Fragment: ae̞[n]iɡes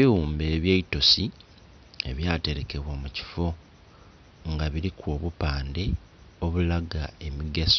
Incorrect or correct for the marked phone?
incorrect: m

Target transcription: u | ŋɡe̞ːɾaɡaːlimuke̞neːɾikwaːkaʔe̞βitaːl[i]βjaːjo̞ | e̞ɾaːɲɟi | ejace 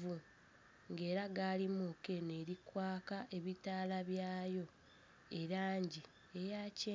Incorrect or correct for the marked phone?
incorrect: a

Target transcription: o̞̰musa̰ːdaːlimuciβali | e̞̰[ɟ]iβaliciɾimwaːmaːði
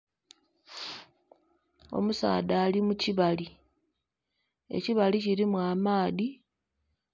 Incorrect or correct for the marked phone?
incorrect: c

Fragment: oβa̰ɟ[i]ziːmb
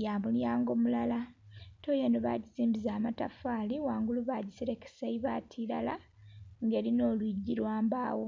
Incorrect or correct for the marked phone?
correct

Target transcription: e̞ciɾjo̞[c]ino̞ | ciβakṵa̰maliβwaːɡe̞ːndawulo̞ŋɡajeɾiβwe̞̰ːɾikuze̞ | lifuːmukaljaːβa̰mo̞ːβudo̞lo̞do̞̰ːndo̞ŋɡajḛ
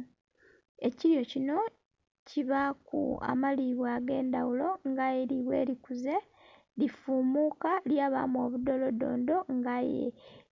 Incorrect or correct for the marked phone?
correct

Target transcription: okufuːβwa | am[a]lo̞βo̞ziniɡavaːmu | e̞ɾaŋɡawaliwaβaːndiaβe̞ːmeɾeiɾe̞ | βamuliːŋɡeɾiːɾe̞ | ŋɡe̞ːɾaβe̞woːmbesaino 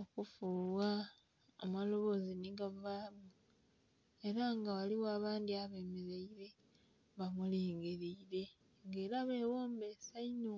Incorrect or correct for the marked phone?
correct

